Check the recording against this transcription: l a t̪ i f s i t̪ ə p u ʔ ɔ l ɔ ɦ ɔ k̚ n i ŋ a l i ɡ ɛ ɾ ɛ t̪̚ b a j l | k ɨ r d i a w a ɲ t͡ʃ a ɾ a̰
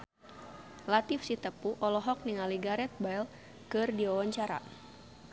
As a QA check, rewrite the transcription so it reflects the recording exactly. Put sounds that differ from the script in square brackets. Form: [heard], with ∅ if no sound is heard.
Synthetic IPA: l a t̪ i f s i t̪ ə p u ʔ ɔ l ɔ ɦ ɔ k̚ n i ŋ a l i ɡ [a] ɾ ɛ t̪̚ b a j l | k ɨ r d i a w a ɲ t͡ʃ a ɾ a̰

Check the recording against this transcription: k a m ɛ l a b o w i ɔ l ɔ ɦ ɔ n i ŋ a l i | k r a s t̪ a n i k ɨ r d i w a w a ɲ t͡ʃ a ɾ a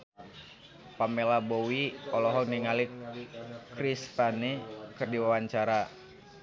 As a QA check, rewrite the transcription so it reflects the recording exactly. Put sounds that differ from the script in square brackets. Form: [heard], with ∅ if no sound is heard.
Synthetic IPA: [p] a m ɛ l a b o w i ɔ l ɔ ɦ ɔ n i ŋ a l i | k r [i] s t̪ a n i k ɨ r d i w a w a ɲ t͡ʃ a ɾ a

